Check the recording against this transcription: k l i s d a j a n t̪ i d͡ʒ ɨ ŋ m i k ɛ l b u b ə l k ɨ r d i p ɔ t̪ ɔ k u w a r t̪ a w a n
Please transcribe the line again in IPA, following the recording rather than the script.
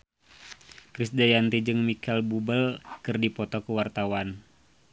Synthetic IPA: k ɾ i s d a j a n t̪ i d͡ʒ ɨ ŋ m i k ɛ l b u b ə l k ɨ r d i p ɔ t̪ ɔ k u w a r t̪ a w a n